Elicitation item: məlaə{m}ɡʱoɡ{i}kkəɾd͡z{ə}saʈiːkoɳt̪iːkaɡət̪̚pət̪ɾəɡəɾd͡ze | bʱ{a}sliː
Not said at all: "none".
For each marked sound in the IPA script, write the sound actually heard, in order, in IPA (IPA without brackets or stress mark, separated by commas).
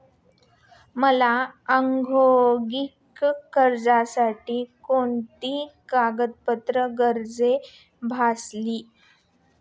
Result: ŋ, i, a, a